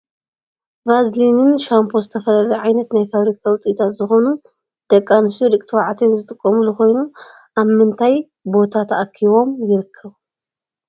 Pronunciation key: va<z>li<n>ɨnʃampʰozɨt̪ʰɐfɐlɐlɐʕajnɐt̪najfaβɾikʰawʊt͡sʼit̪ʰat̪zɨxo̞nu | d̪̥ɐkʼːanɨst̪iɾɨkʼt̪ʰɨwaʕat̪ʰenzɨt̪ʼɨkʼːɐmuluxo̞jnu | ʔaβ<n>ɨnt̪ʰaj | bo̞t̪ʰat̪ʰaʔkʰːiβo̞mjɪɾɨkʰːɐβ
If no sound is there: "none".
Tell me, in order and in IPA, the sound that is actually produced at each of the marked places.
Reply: z, n, m

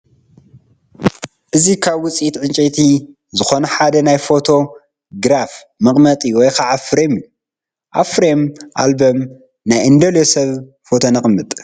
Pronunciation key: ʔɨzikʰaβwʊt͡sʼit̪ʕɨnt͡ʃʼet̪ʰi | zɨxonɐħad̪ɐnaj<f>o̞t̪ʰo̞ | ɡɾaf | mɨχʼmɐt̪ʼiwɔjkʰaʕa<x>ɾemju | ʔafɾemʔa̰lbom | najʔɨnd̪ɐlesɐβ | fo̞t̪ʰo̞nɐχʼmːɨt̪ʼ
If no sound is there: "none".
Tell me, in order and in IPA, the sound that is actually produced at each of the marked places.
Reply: f, f

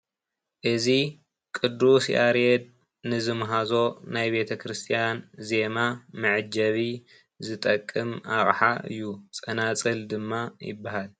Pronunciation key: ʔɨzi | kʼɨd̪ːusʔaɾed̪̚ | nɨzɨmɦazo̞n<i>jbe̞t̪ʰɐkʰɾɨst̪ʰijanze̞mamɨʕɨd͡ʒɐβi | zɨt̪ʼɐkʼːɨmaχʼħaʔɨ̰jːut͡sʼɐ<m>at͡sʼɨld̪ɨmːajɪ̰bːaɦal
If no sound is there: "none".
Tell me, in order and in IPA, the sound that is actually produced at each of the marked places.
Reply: a, n

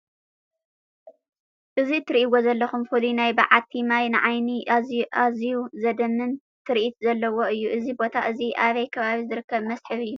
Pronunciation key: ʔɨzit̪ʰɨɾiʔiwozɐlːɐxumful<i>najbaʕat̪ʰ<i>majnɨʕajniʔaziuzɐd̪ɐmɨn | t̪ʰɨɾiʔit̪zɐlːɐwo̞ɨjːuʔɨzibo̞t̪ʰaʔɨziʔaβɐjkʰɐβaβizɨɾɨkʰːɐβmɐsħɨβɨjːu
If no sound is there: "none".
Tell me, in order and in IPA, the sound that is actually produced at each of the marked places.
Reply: i, i

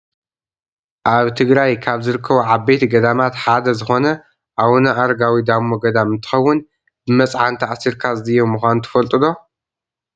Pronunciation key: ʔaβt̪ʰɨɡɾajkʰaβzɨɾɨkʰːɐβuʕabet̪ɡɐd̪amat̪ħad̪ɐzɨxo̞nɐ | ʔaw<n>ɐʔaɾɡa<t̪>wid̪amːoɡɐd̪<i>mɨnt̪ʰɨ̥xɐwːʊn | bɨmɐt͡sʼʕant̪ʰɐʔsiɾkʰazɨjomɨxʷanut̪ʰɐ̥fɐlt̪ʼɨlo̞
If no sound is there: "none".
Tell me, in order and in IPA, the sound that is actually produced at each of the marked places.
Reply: n, none, a

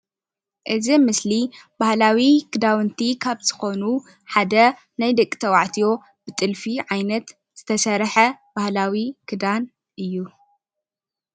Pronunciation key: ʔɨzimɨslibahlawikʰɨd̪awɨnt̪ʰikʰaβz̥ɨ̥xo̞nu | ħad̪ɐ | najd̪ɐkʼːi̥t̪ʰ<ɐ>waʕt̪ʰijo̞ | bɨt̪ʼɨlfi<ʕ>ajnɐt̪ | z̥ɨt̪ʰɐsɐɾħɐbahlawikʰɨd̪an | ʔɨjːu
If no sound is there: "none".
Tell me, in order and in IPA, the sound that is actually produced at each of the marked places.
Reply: ɐ, ʕ

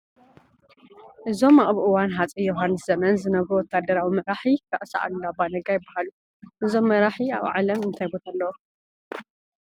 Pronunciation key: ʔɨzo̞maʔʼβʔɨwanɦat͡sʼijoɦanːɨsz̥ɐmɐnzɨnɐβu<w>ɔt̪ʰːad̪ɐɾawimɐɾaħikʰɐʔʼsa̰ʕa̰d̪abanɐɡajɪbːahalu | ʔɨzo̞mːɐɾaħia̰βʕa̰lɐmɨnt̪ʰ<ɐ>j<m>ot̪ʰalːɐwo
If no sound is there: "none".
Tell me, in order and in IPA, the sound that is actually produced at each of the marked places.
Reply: w, a, b

